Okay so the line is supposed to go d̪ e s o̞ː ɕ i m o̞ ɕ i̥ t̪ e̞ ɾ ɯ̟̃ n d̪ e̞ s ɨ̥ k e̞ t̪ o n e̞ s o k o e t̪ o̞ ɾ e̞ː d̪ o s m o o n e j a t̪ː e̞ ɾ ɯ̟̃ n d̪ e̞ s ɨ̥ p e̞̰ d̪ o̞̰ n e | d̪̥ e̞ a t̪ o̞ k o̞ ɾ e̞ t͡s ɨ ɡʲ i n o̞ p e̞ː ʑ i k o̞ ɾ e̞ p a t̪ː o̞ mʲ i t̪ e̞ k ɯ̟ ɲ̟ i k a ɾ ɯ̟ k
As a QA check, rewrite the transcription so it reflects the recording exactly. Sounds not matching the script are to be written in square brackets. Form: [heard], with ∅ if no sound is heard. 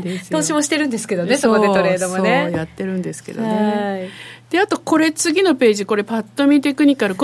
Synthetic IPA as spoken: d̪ e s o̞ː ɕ i m o̞ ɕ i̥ t̪ e̞ ɾ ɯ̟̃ n d̪ e̞ s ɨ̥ k e̞ [d̪] o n e̞ s o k o e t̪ o̞ ɾ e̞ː d̪ o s m o o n e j a t̪ː e̞ ɾ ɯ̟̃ n d̪ e̞ s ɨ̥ [k] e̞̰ d̪ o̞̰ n e | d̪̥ e̞ a t̪ o̞ k o̞ ɾ e̞ t͡s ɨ ɡʲ i n o̞ p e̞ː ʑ i k o̞ ɾ e̞ p a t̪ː o̞ mʲ i t̪ e̞ k ɯ̟ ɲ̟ i k a ɾ ɯ̟ k